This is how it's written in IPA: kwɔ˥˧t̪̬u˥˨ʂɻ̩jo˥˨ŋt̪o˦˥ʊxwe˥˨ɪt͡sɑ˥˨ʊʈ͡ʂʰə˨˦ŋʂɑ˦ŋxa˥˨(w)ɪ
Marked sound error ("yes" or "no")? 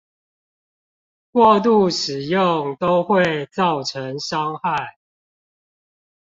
yes